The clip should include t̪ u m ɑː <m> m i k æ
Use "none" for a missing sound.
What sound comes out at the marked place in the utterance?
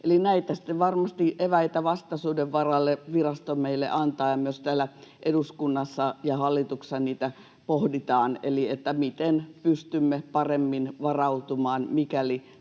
n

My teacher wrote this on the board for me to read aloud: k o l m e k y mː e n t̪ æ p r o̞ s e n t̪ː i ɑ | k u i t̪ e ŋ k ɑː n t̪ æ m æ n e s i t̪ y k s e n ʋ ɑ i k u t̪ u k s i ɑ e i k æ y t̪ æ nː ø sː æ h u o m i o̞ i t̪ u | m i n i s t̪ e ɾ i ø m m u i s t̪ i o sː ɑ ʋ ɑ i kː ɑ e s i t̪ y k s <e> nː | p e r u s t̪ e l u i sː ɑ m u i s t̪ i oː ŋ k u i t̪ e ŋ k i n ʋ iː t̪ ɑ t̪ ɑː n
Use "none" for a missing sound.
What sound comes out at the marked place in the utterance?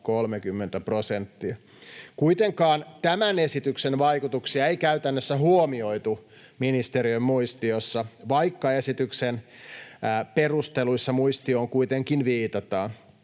e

